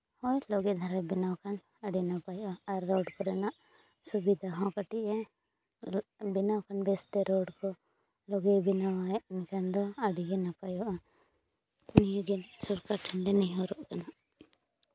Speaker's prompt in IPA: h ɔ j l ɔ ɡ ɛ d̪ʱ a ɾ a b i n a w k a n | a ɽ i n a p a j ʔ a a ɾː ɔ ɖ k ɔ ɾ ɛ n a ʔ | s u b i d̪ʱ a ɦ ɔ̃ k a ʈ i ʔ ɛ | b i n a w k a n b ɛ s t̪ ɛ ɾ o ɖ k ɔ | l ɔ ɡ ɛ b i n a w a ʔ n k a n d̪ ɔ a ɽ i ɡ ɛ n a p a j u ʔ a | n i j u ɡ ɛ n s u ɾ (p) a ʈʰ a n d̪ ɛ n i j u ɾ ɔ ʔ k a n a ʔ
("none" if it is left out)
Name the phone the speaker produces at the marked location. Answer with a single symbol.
k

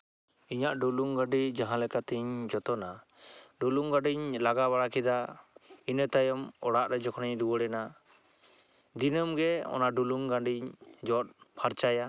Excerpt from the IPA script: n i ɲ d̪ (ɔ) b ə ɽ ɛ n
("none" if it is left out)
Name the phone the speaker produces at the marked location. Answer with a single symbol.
u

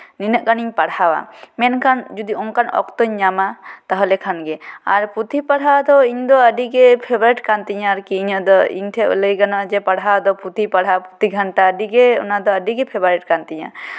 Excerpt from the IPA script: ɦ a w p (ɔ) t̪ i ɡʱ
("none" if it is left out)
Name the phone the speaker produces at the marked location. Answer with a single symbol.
u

